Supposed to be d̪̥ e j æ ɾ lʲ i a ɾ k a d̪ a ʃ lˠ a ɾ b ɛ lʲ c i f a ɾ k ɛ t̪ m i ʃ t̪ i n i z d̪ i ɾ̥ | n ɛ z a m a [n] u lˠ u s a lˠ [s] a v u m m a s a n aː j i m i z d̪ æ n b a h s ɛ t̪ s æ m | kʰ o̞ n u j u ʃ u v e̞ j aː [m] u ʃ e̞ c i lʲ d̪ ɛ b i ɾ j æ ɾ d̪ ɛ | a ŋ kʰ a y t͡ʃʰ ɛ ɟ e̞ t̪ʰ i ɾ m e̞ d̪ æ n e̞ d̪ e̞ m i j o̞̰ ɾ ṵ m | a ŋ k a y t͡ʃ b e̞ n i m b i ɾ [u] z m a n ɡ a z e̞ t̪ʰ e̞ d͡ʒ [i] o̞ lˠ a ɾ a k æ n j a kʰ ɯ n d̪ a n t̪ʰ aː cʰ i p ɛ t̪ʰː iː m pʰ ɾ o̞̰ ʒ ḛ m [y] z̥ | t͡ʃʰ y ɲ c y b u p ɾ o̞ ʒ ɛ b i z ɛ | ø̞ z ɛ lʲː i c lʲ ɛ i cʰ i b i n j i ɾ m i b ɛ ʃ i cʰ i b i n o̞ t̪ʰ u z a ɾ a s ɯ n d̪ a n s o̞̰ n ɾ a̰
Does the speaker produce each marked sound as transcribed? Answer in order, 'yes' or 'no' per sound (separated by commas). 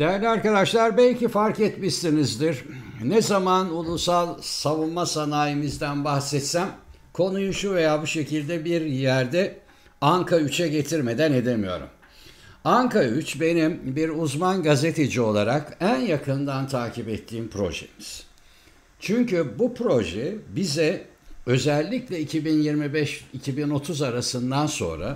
yes, yes, no, yes, yes, no